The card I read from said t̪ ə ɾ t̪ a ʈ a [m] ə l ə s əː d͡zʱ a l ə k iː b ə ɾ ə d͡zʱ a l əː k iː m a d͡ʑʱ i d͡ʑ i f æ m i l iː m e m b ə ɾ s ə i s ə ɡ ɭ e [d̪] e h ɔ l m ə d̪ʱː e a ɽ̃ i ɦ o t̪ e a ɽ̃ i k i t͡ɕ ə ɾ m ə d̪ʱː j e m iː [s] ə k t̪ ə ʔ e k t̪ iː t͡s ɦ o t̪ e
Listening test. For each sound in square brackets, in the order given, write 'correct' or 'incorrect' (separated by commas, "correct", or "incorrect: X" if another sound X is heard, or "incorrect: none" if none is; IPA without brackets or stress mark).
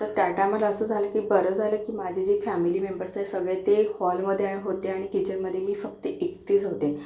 correct, incorrect: t̪, incorrect: f